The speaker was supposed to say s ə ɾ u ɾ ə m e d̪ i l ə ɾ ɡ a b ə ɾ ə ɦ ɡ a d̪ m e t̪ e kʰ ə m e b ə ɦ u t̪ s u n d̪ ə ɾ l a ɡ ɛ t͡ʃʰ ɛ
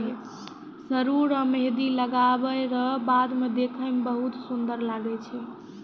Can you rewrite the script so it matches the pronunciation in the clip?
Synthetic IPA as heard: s ə ɾ u ɾ ə m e d̪ i l ə ɡ a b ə ɾ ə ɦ b a d̪ m e d̪ e kʰ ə m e b ə ɦ u t̪ s u n d̪ ə ɾ l a ɡ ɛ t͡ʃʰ ɛ